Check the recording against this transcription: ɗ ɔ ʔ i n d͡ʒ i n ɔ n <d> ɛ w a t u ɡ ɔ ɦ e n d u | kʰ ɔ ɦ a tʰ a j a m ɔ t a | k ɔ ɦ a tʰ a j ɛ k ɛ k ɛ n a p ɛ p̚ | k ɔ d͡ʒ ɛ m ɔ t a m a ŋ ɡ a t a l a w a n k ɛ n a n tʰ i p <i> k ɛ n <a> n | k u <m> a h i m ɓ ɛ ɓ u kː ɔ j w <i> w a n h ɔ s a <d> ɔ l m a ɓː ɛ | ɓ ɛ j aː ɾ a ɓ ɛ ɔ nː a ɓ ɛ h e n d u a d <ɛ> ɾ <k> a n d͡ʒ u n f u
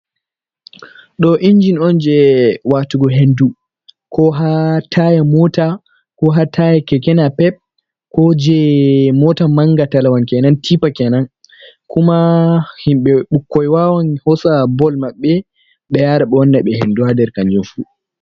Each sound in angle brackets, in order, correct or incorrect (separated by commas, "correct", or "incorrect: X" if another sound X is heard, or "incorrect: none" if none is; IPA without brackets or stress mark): incorrect: d͡ʒ, incorrect: a, correct, correct, incorrect: a, incorrect: b, correct, correct